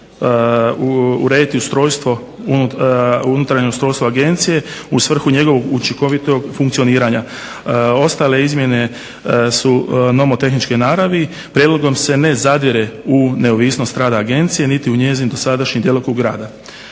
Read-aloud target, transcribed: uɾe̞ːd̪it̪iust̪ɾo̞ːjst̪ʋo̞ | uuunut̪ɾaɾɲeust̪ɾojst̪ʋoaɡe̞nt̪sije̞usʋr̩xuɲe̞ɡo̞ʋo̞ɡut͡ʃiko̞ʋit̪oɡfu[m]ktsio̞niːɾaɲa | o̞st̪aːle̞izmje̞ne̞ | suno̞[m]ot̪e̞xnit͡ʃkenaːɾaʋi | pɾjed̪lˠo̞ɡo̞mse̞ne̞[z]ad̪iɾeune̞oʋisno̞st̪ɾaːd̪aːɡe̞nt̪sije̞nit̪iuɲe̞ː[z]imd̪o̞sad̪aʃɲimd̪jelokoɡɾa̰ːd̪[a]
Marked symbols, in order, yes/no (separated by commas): no, yes, yes, yes, yes